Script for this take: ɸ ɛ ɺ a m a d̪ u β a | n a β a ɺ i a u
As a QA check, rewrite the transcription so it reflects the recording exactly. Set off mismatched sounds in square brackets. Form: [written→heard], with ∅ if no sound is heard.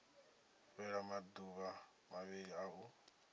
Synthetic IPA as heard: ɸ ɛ ɺ a m a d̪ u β a | [n→m] a β [a→i] ɺ i a u